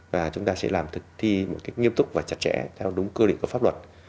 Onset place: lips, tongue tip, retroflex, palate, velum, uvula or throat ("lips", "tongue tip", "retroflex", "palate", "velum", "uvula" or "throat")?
lips